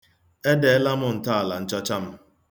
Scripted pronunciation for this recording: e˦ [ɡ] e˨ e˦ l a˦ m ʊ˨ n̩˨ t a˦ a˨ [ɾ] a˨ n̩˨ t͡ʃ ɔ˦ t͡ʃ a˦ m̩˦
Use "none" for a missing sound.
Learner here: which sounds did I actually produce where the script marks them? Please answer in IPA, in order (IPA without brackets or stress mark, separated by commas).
d, l